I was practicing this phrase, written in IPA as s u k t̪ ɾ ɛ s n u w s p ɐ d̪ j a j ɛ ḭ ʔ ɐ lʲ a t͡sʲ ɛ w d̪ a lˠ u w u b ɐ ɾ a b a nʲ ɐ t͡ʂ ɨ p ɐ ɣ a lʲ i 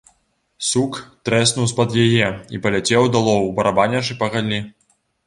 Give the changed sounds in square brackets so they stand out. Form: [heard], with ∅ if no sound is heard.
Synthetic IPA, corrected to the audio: s u k t̪ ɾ ɛ s n u w s p ɐ d̪ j a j ɛ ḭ [p] ɐ lʲ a t͡sʲ ɛ w d̪ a lˠ [ɔ] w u b ɐ ɾ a b a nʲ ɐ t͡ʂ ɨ p ɐ ɣ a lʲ i